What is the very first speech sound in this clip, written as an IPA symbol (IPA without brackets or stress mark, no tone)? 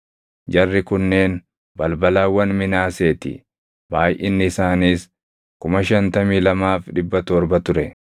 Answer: d͡ʒ